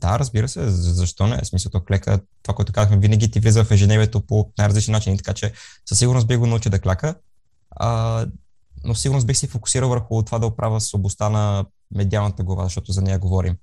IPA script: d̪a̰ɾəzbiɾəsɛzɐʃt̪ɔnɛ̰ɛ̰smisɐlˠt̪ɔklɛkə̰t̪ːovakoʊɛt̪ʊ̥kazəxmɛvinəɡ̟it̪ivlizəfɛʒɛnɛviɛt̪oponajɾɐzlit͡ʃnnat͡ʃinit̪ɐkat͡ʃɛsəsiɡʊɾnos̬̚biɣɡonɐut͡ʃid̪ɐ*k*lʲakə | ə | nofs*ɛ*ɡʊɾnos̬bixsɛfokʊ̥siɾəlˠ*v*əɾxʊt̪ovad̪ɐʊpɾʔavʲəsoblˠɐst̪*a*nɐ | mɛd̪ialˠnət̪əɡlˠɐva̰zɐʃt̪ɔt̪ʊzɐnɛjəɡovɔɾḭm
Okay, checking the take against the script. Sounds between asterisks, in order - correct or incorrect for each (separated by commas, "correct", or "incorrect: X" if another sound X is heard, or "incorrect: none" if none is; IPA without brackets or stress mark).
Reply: correct, incorrect: i, correct, correct